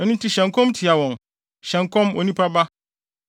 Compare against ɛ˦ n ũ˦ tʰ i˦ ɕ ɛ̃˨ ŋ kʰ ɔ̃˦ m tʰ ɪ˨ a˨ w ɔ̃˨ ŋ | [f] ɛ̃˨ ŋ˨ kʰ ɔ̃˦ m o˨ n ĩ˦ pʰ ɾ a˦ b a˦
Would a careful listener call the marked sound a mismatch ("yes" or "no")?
yes